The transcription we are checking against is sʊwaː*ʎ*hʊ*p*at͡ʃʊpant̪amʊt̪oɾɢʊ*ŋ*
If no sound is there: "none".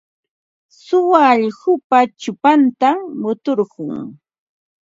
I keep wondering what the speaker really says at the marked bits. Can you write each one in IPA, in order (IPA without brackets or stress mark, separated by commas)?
ʎ, p, ŋ